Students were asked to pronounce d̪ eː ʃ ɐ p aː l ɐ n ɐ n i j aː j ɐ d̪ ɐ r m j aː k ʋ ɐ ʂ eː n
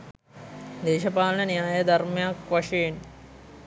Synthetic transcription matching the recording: d̪ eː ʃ ɐ p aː l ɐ n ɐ n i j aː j ɐ d̪ ɐ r m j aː k ʋ ɐ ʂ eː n